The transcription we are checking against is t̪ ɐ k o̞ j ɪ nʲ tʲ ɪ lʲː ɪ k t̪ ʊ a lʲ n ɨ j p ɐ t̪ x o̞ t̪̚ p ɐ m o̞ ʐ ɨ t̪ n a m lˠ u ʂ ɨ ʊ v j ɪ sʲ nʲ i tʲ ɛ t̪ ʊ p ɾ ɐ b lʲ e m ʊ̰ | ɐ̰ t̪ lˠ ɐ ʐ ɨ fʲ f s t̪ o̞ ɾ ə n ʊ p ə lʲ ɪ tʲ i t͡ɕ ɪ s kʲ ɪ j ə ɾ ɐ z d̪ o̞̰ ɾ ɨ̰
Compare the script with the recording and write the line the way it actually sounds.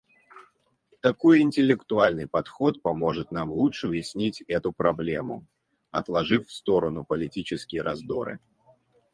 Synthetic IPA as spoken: t̪ ɐ k o̞ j ɪ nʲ tʲ ɪ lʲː ɪ k t̪ ʊ a lʲ n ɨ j p ɐ t̪ x o̞ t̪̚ p ɐ m o̞ ʐ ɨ t̪ n a m lˠ u ʂ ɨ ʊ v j ɪ sʲ nʲ i tʲ ɛ t̪ ʊ p ɾ ɐ b lʲ e m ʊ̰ | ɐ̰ t̪ lˠ ɐ ʐ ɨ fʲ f s t̪ o̞ ɾ ə n ʊ p ə lʲ ɪ tʲ i t͡ɕ ɪ s kʲ ɪ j ə ɾ ɐ z d̪ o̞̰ ɾ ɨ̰